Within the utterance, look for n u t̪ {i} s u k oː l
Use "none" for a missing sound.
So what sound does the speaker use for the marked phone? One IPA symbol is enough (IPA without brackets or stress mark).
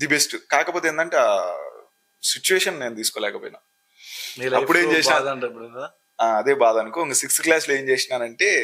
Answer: iː